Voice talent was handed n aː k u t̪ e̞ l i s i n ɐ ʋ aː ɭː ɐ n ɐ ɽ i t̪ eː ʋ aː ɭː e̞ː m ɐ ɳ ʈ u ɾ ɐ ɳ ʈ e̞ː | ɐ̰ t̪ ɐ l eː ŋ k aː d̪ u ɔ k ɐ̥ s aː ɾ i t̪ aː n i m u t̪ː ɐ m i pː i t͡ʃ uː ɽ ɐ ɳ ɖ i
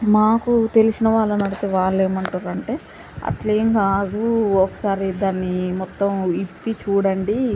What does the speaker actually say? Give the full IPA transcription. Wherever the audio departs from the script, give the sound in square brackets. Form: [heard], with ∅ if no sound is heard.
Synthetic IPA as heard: [m] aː k u t̪ e̞ l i s i n ɐ ʋ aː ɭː ɐ n ɐ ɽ i t̪ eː ʋ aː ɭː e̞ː m ɐ ɳ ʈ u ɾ ɐ ɳ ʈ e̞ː | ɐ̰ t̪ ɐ l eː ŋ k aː d̪ u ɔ k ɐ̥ s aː ɾ i [d̪] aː [nː] i m [ɔ] t̪ː ɐ m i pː i t͡ʃ uː ɽ ɐ ɳ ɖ i